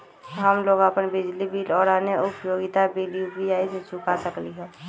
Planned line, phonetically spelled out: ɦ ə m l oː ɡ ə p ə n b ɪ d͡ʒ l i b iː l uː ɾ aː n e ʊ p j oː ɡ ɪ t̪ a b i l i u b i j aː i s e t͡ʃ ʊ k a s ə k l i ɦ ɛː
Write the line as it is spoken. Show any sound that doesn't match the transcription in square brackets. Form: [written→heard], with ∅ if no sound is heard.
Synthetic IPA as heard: ɦ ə m l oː ɡ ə p ə n b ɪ d͡ʒ l i b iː l [uː→ɔː] ɾ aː n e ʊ p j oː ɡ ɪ t̪ a b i l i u b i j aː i s e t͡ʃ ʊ k a s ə k l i ɦ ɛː